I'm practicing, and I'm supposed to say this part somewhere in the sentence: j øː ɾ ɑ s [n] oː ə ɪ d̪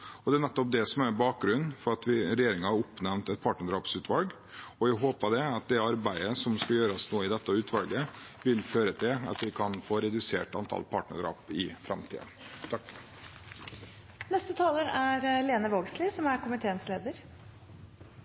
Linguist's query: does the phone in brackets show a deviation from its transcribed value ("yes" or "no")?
no